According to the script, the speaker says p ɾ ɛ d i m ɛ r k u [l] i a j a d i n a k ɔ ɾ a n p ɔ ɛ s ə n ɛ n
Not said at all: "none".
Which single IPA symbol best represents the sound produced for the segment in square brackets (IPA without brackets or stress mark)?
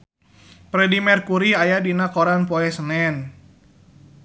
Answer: ɾ